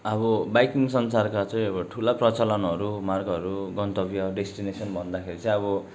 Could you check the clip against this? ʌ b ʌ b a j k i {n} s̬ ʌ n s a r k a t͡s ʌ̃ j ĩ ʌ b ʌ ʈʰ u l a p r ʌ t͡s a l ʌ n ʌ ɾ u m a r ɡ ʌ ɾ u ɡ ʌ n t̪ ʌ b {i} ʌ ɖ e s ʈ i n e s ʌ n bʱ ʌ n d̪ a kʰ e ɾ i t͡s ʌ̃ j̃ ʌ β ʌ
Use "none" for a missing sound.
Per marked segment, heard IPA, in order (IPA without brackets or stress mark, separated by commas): ŋ, j